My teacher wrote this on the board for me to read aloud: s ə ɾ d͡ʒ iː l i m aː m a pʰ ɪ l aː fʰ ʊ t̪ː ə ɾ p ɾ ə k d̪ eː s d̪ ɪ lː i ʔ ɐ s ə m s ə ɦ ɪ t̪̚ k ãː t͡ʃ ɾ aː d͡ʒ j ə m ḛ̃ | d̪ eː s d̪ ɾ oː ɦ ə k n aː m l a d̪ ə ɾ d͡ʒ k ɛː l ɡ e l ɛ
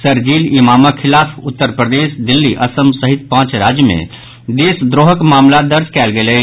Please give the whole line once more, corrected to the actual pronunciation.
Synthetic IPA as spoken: s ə ɾ d͡ʒ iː l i m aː m a kʰ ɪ l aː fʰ ʊ t̪ː ə ɾ p ɾ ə d̪ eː s d̪ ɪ lː i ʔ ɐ s ə m s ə ɦ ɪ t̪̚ p ãː t͡ʃ ɾ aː d͡ʒ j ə m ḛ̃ | d̪ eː s d̪ ɾ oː ɦ ə k m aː m l a d̪ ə ɾ d͡ʒ k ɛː l ɡ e l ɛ